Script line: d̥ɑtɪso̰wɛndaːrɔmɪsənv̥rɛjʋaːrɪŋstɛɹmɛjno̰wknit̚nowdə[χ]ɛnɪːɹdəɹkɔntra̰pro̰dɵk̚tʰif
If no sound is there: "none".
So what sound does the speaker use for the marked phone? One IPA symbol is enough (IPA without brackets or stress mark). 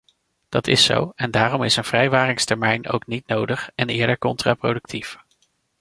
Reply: χ